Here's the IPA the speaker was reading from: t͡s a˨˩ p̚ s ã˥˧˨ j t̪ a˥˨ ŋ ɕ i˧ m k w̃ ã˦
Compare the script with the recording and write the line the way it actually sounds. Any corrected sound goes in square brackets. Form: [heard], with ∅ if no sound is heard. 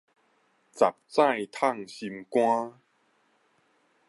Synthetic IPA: t͡s a˨˩ p̚ [t͡s] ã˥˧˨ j [t̪ʰ] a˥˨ ŋ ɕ i˧ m k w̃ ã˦